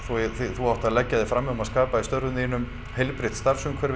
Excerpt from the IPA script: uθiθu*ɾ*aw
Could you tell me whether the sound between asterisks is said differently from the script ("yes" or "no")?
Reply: yes